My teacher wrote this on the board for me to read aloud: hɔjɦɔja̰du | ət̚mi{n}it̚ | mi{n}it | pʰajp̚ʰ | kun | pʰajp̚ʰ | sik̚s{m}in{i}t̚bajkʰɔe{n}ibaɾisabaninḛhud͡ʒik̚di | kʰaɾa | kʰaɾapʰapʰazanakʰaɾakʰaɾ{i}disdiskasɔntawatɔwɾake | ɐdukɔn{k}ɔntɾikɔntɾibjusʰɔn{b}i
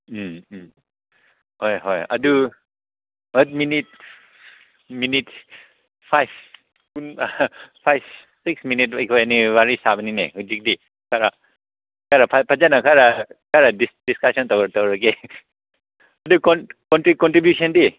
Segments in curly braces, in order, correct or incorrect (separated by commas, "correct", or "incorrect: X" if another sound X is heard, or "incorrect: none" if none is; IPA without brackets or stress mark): correct, correct, correct, correct, correct, incorrect: a, correct, incorrect: d